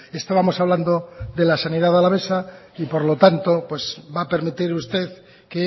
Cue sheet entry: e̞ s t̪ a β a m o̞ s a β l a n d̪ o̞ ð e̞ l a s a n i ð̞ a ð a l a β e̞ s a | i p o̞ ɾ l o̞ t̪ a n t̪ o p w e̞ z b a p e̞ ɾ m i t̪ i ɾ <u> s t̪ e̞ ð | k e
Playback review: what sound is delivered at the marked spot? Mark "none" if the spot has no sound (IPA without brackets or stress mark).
u